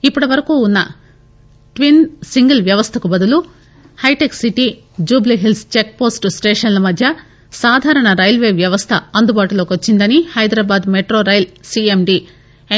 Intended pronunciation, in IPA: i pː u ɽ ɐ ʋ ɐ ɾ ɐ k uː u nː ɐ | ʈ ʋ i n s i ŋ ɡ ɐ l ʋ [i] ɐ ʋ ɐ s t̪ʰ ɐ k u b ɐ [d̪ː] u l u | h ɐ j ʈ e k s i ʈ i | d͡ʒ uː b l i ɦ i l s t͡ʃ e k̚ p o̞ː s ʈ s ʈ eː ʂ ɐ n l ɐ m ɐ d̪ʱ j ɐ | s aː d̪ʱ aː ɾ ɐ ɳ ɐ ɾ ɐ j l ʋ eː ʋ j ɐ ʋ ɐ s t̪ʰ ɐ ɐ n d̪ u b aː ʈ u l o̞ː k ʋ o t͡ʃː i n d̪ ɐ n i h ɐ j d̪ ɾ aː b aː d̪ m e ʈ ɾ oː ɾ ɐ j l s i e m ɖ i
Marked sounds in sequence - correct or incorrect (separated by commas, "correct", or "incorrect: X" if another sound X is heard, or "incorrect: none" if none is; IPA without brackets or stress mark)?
incorrect: j, incorrect: d̪